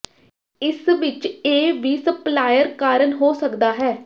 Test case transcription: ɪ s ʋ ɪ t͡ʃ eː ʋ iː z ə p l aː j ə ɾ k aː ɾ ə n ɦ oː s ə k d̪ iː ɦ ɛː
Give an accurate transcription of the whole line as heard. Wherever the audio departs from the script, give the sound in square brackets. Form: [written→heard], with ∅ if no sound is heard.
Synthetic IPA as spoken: ɪ s ʋ ɪ t͡ʃ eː ʋ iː [z→s] ə p l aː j ə ɾ k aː ɾ ə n ɦ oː s ə k d̪ [iː→aː] ɦ ɛː